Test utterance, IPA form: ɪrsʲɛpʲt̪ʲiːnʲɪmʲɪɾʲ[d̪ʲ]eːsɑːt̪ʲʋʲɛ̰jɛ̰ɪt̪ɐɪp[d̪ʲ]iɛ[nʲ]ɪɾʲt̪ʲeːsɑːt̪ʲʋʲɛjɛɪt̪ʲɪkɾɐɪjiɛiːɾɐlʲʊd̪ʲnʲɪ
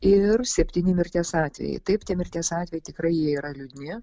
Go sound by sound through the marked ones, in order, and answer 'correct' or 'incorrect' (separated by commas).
incorrect, incorrect, incorrect